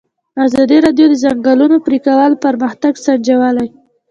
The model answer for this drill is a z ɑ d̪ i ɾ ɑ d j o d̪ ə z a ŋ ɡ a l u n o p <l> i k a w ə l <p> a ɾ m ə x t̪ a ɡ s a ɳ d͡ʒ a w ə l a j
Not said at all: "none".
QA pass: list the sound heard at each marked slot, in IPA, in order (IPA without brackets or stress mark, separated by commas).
ɾ, p